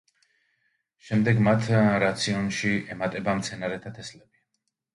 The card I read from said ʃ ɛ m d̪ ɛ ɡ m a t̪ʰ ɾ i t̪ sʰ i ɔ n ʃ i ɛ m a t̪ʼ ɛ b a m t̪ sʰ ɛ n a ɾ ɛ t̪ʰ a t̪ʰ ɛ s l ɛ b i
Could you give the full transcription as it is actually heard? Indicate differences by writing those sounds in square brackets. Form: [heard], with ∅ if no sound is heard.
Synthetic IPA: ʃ ɛ m d̪ ɛ ɡ m a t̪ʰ ɾ [a] t̪ sʰ i ɔ n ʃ i ɛ m a t̪ʼ ɛ b a m t̪ sʰ ɛ n a ɾ ɛ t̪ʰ a t̪ʰ ɛ s l ɛ b i